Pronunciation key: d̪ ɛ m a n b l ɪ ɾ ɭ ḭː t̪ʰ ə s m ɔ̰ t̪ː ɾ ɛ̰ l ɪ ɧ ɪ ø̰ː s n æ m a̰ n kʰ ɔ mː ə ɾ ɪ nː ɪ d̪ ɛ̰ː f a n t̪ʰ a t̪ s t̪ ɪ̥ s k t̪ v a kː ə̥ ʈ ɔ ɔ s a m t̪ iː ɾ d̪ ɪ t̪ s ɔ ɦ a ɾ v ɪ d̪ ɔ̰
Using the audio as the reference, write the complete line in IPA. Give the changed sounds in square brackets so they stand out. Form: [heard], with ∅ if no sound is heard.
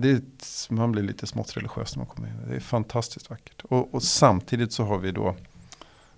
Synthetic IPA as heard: d̪ ɛ m a n b l ɪ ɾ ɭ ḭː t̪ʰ ə s m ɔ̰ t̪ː ɾ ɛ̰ l ɪ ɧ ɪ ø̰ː s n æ m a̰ n kʰ ɔ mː ə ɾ ɪ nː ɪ d̪ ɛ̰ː f a n t̪ʰ a [∅] s t̪ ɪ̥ s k t̪ v a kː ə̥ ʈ ɔ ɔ s a m [t̪ʰ] iː [∅] d̪ ɪ t̪ s ɔ ɦ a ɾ v ɪ d̪ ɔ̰